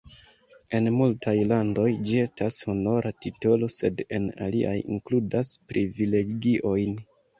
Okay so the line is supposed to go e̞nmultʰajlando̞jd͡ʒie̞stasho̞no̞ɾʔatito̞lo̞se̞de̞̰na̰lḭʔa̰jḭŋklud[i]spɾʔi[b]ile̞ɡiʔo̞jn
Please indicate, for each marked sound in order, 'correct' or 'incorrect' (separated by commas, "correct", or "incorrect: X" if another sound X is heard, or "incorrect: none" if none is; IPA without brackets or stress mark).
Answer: incorrect: a, incorrect: v